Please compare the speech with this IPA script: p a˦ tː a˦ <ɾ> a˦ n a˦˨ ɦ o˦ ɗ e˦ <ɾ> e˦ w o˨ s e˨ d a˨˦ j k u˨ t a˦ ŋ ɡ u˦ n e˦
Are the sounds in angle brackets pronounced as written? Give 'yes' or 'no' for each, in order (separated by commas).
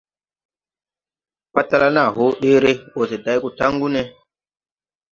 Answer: no, yes